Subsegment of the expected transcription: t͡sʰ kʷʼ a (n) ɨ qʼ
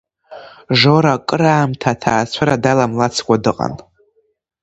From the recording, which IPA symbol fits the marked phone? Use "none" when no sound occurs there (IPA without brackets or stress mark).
d